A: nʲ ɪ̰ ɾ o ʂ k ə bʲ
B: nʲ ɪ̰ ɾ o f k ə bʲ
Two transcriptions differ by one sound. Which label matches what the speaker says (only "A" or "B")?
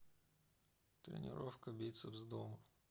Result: B